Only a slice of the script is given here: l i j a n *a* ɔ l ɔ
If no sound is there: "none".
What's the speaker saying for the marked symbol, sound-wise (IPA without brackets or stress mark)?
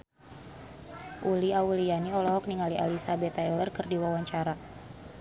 i